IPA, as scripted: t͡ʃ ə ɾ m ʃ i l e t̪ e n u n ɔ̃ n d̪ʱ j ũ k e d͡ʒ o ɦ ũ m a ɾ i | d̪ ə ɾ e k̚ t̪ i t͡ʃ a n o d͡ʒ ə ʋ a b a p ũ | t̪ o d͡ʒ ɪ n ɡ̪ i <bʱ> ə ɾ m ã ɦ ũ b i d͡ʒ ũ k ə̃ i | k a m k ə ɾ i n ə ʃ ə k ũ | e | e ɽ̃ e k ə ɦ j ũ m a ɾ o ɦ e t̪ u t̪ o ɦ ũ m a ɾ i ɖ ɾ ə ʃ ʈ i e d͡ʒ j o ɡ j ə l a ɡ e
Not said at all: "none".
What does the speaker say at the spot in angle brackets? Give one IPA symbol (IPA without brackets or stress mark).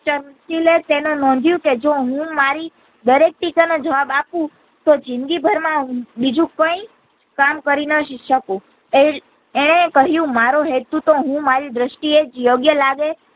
bʱ